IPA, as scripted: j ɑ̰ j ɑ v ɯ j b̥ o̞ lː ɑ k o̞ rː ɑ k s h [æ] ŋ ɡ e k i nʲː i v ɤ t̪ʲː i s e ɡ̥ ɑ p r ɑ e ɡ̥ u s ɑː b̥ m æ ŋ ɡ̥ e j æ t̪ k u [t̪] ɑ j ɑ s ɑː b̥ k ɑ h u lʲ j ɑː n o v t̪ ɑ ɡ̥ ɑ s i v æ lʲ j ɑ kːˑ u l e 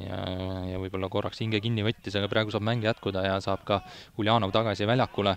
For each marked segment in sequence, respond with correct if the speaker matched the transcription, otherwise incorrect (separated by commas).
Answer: incorrect, incorrect